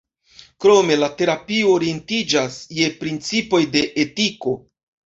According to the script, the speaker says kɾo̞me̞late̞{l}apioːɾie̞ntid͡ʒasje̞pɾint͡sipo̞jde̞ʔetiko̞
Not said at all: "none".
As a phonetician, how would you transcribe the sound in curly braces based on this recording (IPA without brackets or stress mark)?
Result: ɾ